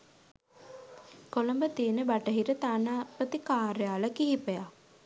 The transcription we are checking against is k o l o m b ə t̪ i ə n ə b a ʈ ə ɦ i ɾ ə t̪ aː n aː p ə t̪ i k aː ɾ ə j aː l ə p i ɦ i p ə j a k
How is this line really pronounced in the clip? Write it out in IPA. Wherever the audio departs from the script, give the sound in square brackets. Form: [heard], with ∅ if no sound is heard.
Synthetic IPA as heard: k o l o m b ə t̪ i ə n ə b a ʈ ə ɦ i ɾ ə t̪ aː n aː p ə t̪ i k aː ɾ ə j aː l ə [k] i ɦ i p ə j a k

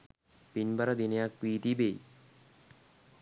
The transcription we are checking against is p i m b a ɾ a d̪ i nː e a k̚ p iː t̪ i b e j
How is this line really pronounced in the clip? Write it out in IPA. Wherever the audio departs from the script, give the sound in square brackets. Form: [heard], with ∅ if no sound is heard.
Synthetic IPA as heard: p i [n] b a ɾ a d̪ i [n] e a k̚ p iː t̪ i b e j

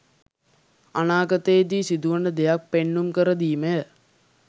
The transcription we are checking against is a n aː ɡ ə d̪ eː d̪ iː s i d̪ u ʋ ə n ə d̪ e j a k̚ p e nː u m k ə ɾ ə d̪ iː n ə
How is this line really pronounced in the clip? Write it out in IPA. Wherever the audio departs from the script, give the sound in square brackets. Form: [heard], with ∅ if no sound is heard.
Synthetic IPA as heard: a n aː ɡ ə [t̪] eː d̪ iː s i d̪ u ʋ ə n ə d̪ e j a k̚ p e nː u m k ə ɾ ə d̪ iː [m] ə

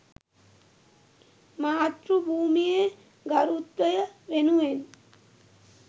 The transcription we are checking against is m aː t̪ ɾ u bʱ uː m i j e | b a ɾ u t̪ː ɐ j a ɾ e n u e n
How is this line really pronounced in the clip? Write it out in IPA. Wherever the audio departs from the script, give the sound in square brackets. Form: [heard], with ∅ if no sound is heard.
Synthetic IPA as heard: m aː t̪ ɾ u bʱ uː m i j e | [ɡ] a ɾ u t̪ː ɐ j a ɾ e n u e n

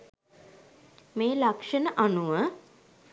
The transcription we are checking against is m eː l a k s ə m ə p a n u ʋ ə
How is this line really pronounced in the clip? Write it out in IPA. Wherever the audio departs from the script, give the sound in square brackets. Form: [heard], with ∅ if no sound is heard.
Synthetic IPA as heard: m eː l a k [ʂ] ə [n] ə [ʔ] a n u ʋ ə

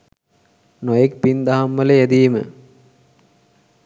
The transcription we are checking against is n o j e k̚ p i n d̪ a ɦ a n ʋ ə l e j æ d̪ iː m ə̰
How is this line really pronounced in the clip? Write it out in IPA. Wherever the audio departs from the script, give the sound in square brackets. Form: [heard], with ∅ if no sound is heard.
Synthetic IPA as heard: n o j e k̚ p i n d̪ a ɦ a [m] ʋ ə l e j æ d̪ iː m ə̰

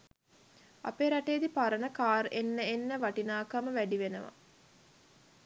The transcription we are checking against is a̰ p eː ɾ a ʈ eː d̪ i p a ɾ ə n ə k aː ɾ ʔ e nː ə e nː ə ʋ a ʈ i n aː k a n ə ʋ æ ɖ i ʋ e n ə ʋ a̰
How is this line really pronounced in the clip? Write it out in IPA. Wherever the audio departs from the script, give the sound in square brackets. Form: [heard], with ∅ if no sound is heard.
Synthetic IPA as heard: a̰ p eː ɾ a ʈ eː d̪ i p a ɾ ə n ə k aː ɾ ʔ e nː ə e nː ə ʋ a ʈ i n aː k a [m] ə ʋ æ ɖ i ʋ e n ə ʋ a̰

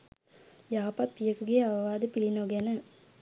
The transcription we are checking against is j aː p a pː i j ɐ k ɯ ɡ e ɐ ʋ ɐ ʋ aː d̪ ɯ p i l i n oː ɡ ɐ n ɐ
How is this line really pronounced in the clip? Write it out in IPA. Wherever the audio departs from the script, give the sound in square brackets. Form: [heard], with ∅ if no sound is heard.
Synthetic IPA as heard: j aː p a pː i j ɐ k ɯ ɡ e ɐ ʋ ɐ ʋ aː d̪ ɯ p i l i n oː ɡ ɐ n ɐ

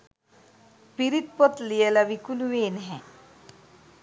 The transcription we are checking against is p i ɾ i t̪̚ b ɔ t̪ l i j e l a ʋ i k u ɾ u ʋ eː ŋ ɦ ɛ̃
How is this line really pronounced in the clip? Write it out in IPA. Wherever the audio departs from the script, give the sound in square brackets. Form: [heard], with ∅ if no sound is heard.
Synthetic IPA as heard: p i ɾ i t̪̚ [p] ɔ t̪ l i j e l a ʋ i k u [l] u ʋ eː [n] ɦ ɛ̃

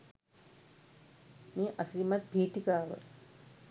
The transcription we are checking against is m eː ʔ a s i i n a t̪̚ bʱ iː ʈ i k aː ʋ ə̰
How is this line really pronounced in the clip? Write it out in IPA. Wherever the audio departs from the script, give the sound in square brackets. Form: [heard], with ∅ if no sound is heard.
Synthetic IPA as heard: m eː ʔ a s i i [m] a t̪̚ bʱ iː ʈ i k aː ʋ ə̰

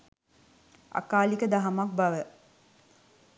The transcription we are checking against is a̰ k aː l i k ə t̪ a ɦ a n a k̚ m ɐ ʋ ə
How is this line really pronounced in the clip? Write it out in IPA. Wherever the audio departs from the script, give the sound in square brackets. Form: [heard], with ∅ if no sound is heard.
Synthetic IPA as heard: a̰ k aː l i k ə [d̪] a ɦ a [m] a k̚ [b] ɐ ʋ ə

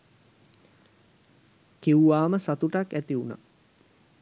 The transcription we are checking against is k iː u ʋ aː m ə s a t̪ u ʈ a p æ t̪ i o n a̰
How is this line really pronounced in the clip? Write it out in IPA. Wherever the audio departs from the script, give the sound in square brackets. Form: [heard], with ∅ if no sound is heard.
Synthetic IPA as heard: k [i] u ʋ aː m ə s a t̪ u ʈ a [k] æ t̪ i [u] n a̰

